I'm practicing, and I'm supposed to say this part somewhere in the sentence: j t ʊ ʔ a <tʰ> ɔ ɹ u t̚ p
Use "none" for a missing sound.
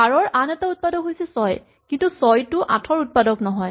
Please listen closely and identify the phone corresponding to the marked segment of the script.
tʰ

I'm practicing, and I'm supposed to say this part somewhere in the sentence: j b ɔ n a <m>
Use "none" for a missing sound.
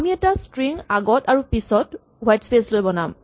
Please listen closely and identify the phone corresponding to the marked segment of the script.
m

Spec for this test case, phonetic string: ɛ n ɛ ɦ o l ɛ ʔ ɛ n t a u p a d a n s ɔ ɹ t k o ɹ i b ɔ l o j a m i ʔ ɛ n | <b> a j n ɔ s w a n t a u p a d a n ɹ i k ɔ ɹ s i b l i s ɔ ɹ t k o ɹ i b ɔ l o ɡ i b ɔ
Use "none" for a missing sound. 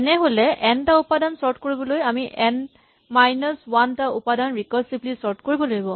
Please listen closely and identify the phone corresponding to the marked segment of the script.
m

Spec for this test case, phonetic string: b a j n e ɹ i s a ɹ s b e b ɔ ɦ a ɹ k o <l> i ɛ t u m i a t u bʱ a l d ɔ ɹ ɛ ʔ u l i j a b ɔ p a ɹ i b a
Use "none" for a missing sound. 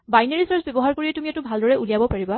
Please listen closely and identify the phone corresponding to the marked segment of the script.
ɹ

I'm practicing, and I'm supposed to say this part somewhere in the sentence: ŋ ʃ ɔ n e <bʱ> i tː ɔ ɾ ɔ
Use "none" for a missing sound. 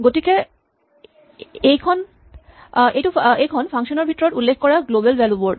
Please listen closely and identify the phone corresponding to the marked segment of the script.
bʱ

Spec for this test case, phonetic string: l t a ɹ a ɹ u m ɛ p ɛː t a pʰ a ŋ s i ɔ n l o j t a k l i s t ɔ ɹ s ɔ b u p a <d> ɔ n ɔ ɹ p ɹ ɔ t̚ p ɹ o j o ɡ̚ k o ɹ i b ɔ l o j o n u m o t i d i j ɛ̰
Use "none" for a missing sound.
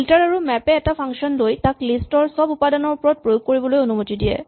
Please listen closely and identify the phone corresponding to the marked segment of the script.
d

